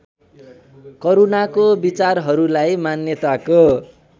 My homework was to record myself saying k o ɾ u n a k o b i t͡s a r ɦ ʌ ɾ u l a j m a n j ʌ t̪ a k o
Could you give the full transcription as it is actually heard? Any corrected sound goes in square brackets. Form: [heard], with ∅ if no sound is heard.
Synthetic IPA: k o ɾ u n a k o b i t͡s a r ɦ ʌ ɾ u l a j m a n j ʌ t̪ a k o